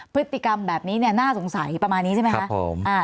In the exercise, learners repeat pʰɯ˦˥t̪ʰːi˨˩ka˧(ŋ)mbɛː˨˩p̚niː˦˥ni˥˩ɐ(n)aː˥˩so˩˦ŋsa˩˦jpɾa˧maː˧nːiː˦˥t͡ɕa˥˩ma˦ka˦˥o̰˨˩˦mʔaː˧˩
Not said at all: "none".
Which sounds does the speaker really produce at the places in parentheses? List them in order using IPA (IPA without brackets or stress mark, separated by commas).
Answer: none, n